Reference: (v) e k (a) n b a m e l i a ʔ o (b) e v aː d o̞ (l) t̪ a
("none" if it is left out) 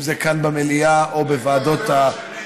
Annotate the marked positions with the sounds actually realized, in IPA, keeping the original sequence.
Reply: z, a, b, none

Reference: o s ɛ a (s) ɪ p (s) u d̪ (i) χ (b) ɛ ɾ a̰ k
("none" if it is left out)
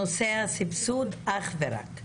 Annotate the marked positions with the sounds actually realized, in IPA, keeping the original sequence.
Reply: s, s, a, v

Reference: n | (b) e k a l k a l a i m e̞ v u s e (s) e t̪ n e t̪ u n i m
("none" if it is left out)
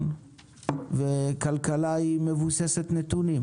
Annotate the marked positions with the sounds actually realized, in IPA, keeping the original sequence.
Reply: v, s

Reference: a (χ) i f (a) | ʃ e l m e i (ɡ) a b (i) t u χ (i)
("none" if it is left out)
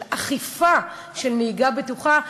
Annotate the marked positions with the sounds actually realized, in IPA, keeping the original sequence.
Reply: χ, a, ɡ, e, a

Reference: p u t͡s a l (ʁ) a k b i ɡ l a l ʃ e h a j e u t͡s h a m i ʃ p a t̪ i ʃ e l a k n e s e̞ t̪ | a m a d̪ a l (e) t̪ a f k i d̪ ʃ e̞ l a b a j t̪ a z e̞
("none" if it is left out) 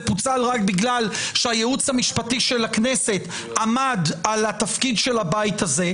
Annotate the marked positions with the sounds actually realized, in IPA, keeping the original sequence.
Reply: ʁ, a

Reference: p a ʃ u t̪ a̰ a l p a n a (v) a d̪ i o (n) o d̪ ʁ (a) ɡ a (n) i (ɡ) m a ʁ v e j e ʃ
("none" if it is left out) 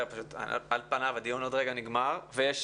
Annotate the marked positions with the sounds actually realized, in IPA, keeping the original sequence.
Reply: v, n, e, n, ɡ

